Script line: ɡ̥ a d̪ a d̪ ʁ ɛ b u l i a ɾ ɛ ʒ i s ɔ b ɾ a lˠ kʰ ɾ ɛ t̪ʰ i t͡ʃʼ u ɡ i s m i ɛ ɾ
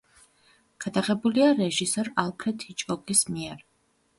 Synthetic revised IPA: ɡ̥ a d̪ a ʁ ɛ b u l i a ɾ ɛ ʒ i s ɔ ɾ a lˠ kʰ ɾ ɛ t̪ʰ i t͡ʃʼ ɔ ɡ i s m i ɛ ɾ